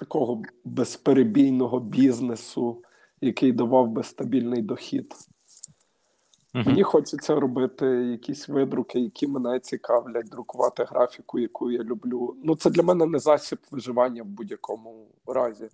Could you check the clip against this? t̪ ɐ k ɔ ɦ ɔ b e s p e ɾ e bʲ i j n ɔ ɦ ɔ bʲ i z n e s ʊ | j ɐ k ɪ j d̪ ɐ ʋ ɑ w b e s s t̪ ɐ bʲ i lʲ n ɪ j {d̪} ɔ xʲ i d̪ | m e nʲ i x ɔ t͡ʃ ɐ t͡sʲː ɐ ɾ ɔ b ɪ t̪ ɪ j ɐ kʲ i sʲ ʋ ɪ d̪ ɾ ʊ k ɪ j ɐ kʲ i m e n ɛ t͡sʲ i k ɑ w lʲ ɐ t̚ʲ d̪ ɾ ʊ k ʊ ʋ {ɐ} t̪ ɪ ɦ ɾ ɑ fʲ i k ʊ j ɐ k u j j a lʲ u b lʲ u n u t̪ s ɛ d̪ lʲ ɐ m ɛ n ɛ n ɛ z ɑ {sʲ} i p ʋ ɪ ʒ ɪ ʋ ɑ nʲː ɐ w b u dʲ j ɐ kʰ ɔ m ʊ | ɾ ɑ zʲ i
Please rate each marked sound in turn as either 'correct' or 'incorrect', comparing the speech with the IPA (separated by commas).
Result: correct, incorrect, correct